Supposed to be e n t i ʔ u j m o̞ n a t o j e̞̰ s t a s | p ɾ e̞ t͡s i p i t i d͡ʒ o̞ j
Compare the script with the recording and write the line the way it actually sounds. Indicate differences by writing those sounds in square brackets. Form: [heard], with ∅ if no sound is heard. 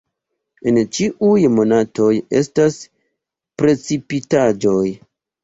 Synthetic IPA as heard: e n [t͡ʃ] i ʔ u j m o̞ n a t o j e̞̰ s t a s | p ɾ e̞ t͡s i p i t [a] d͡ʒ o̞ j